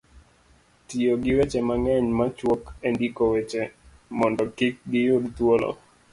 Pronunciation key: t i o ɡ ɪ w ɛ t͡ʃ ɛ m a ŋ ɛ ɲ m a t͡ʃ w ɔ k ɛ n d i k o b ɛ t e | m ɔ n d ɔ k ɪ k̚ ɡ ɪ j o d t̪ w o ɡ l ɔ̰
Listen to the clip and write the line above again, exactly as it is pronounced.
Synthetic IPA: t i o ɡ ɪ w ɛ t͡ʃ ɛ m a ŋ ɛ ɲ m a t͡ʃ w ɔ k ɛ n d i k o w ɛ t͡ʃ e | m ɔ n d ɔ k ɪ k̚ ɡ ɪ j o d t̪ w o l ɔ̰

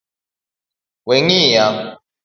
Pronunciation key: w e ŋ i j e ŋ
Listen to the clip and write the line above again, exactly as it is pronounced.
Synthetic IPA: w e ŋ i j a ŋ

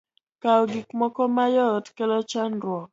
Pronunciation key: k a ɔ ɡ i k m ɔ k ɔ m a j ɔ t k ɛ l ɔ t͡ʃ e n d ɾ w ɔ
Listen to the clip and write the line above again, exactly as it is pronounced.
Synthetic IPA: k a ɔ ɡ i k m ɔ k ɔ m a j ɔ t k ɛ l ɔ t͡ʃ a n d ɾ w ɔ

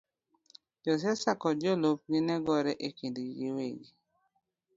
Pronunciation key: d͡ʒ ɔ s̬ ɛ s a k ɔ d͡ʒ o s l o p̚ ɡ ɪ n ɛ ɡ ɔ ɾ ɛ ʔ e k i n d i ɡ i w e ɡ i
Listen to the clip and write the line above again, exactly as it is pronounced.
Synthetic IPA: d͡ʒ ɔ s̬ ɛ s a k ɔ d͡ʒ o l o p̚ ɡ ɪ n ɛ ɡ ɔ ɾ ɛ ʔ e k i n d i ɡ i w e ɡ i

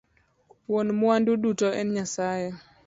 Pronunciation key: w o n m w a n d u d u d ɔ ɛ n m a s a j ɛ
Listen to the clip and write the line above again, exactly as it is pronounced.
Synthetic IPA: w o n m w a n d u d u t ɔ ɛ n ɲ a s a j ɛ

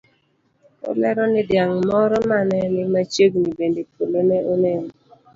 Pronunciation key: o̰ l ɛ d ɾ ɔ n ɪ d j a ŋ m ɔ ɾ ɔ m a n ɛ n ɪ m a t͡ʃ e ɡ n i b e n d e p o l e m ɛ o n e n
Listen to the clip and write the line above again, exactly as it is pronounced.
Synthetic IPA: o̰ l ɛ ɾ ɔ n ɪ d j a ŋ m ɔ ɾ ɔ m a n ɛ n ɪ m a t͡ʃ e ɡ n i b e n d e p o l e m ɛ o n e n

